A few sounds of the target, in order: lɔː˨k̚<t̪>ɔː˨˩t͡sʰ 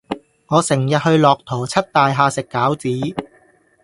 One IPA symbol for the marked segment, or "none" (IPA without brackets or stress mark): t̪ʰ